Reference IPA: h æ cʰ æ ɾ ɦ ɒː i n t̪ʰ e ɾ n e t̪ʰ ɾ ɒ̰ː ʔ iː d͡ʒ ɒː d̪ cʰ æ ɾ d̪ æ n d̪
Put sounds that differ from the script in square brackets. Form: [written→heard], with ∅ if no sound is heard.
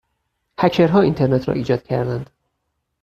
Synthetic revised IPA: h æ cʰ [æ→e] ɾ ɦ ɒː i n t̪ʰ e ɾ n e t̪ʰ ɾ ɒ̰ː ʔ iː d͡ʒ ɒː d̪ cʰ æ ɾ d̪ æ n d̪